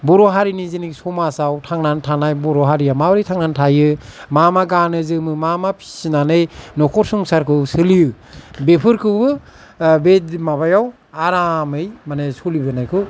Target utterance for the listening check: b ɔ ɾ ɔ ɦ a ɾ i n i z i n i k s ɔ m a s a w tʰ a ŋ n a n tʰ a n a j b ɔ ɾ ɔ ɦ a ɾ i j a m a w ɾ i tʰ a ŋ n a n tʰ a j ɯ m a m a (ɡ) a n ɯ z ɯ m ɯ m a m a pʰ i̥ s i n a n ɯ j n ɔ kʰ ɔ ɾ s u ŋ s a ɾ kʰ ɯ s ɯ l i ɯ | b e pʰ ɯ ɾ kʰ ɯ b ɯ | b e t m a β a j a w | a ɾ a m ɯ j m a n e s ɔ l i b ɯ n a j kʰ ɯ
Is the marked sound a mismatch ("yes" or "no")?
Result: no